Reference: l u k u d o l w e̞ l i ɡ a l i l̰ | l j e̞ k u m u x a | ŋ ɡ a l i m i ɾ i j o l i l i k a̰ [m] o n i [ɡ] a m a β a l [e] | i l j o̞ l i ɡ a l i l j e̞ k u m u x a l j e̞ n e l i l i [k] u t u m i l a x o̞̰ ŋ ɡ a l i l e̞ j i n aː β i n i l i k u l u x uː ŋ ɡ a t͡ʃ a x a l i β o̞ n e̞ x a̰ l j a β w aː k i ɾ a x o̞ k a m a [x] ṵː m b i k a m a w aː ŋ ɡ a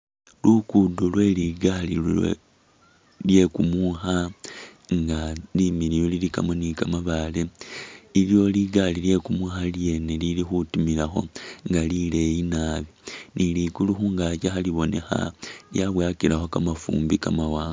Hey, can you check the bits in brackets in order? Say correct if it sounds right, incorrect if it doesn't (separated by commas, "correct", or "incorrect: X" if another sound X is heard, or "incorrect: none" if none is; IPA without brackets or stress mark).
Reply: correct, incorrect: k, correct, incorrect: x, incorrect: f